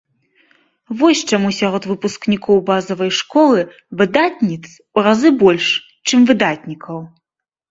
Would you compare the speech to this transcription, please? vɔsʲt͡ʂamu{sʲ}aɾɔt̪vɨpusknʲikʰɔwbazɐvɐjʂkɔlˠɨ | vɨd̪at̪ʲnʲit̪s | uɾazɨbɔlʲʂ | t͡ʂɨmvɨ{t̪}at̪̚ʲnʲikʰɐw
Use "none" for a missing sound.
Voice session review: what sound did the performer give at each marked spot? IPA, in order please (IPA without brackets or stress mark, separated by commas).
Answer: sʲ, d̪